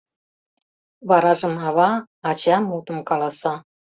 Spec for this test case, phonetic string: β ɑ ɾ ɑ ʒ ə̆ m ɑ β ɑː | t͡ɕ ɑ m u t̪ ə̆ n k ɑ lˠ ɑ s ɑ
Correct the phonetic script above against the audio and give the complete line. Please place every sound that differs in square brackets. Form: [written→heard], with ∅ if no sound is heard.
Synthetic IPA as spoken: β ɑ ɾ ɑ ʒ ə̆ m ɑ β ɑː | t͡ɕ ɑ m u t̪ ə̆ [n→m] k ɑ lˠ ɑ s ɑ